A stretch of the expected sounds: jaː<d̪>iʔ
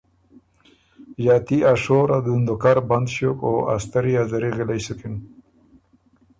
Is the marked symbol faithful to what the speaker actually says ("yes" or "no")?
no